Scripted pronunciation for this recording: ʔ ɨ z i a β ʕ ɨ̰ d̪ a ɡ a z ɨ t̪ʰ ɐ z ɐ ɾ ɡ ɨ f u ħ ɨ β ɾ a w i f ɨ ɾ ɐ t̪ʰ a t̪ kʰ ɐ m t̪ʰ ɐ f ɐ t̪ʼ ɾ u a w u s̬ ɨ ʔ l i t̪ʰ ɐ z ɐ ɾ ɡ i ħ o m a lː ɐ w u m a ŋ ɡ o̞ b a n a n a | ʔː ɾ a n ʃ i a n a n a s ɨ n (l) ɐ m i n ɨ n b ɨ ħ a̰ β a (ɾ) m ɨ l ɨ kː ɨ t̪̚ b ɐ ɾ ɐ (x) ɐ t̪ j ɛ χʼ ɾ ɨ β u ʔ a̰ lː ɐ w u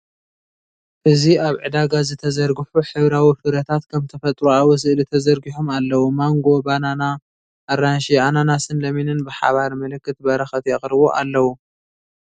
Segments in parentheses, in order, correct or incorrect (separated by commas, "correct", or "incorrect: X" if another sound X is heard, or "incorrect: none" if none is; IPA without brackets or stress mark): correct, correct, correct